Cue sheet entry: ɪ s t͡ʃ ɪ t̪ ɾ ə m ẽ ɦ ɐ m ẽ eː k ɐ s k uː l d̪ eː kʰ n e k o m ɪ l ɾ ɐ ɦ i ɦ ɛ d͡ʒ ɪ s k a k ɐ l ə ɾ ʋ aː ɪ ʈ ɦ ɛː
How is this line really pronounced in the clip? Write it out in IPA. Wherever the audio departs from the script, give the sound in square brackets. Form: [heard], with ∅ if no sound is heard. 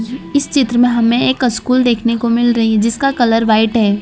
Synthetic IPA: ɪ s t͡ʃ ɪ t̪ ɾ ə m ẽ ɦ ɐ m ẽ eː k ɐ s k uː l d̪ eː kʰ n e k o m ɪ l ɾ ɐ ɦ i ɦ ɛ d͡ʒ ɪ s k a k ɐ l ə ɾ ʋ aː ɪ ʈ ɦ ɛː